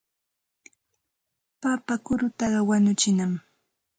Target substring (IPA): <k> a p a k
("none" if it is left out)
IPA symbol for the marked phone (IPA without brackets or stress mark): p